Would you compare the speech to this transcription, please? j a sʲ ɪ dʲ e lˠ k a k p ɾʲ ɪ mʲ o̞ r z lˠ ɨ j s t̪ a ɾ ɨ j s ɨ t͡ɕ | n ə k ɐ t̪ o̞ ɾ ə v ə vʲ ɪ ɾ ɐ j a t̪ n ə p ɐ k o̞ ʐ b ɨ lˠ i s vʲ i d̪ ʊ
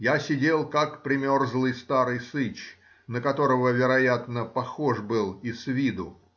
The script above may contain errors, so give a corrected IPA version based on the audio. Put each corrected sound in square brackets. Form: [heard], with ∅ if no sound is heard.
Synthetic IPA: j a sʲ ɪ dʲ e lˠ k a k p ɾʲ ɪ mʲ o̞ r z lˠ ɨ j s t̪ a ɾ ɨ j s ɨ t͡ɕ | n ə k ɐ t̪ o̞ ɾ ə v ə vʲ ɪ ɾ ɐ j a t̪ n ə p ɐ [x] o̞ ʐ b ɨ lˠ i s vʲ i d̪ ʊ